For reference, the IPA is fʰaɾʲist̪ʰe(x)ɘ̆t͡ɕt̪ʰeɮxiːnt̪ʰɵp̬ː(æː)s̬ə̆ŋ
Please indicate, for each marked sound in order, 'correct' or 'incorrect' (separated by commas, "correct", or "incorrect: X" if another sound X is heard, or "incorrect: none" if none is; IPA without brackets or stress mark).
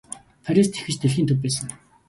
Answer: correct, correct